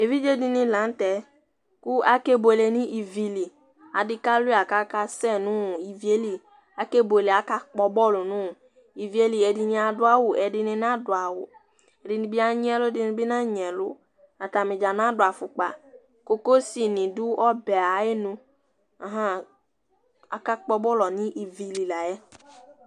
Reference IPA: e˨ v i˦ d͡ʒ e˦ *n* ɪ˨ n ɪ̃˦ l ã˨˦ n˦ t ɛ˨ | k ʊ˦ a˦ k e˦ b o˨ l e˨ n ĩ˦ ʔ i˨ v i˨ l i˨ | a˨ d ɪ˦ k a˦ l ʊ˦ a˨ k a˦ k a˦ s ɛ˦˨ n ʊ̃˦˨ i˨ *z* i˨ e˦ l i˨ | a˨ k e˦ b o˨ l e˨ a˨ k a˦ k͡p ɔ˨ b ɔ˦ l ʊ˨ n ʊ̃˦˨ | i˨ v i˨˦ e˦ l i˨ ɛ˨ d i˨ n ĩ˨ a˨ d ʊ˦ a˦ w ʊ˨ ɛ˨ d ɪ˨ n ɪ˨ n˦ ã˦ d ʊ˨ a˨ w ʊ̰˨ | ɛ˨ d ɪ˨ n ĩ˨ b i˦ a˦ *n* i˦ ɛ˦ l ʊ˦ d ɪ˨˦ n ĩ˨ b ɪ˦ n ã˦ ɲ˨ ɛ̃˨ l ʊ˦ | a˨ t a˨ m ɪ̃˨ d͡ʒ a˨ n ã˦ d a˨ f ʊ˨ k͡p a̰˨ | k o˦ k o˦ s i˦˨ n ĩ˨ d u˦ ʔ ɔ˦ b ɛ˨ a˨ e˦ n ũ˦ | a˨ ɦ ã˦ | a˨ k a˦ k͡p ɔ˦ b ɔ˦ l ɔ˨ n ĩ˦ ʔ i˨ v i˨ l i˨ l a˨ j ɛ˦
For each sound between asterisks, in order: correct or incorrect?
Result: incorrect, incorrect, incorrect

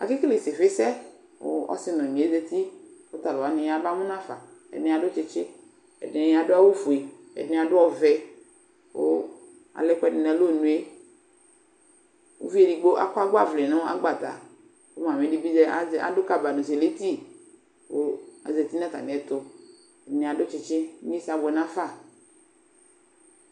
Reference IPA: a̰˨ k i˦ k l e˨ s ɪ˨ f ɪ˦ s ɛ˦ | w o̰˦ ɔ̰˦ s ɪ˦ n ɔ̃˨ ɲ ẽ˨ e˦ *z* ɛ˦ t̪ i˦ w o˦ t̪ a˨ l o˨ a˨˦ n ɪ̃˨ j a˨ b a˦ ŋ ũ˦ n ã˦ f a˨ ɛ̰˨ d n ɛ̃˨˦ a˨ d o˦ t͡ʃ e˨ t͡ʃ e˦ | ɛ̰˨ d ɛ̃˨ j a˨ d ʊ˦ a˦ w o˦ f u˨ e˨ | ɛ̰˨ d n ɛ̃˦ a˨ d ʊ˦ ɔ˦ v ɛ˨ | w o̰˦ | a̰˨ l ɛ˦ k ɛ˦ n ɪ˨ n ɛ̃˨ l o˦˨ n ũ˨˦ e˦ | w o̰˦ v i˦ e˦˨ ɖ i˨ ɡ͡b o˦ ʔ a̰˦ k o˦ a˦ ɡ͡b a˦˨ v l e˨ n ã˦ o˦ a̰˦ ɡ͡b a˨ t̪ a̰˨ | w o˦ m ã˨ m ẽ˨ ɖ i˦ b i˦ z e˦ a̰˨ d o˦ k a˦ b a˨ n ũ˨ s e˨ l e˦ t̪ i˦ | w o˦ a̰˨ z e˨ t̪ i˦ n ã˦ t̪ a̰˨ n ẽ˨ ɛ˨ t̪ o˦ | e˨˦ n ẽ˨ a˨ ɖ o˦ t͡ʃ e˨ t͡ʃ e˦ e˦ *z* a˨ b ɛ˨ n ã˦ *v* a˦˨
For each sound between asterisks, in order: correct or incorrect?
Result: correct, incorrect, incorrect

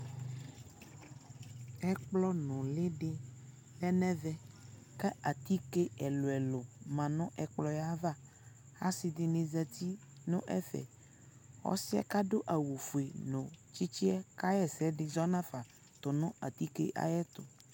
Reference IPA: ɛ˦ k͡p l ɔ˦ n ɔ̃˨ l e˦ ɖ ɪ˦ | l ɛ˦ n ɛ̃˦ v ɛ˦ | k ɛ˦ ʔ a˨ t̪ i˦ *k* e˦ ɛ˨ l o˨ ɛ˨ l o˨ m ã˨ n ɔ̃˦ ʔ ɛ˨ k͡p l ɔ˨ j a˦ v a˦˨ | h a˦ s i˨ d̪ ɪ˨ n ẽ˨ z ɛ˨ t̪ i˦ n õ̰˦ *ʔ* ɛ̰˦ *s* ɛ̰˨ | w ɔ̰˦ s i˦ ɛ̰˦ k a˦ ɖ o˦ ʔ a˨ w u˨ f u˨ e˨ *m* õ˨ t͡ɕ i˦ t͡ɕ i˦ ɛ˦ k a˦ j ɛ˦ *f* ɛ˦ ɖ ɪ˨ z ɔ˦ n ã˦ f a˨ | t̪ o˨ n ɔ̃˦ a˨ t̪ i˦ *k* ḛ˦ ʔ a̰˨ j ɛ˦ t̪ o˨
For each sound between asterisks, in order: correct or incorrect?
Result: correct, correct, incorrect, incorrect, incorrect, correct

